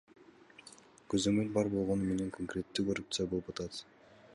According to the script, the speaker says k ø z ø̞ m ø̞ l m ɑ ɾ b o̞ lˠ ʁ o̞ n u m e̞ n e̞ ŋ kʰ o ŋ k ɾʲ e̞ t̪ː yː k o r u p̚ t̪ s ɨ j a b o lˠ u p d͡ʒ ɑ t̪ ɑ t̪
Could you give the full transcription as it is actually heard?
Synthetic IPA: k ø z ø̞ m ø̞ l b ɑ ɾ b o̞ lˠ ʁ o̞ n u m e̞ n e̞ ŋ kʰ o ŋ k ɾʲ e̞ t̪ː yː k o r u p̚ t̪ s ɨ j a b o lˠ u p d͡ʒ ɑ t̪ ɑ t̪